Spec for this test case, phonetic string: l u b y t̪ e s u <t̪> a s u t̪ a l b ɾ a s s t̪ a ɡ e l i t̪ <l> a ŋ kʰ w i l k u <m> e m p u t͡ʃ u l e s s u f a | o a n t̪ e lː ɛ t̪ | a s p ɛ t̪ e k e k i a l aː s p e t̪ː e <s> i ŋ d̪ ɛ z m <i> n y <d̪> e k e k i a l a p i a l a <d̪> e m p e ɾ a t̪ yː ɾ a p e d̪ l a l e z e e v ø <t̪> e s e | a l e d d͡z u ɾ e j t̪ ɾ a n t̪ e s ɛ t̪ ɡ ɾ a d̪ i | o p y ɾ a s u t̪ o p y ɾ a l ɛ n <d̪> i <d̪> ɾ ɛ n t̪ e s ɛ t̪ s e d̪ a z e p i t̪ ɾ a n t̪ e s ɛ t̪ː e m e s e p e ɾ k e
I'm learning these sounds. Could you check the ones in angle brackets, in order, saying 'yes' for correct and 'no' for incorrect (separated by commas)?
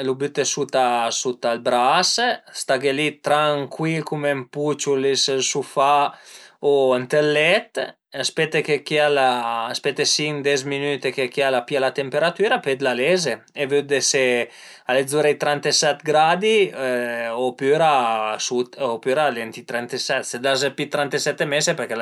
yes, no, yes, yes, yes, no, no, no, no, no